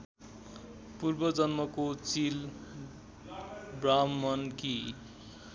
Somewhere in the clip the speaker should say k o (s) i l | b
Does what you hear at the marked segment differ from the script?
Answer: yes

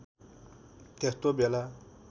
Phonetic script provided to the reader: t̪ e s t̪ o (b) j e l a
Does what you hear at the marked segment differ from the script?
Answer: no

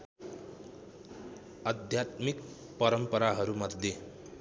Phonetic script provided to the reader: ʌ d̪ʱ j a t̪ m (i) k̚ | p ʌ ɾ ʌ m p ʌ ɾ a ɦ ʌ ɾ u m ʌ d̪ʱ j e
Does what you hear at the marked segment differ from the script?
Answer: no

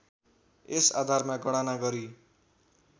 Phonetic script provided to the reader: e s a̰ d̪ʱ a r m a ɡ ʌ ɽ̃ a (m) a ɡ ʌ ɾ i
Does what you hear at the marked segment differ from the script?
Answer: yes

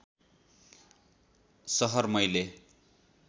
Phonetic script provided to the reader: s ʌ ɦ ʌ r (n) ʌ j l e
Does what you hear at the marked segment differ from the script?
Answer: yes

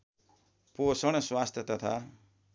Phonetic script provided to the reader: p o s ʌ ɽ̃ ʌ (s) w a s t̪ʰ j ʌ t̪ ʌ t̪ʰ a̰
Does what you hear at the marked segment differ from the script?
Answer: no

